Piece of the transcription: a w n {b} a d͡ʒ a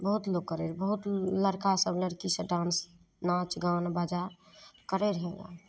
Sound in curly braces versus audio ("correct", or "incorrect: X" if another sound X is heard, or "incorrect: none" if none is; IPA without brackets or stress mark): correct